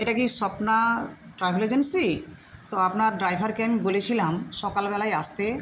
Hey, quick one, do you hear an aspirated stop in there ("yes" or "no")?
yes